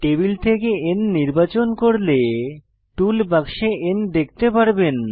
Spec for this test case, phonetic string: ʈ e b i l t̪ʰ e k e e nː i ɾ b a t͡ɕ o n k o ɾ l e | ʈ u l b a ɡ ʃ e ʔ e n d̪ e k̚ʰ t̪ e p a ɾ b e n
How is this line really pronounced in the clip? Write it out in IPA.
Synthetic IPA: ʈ e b i l t̪ʰ e k e e nː i ɾ b a t͡ɕ o n k o ɾ l e | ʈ u l b a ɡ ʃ e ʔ e n d̪ e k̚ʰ t̪ e p a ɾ b e n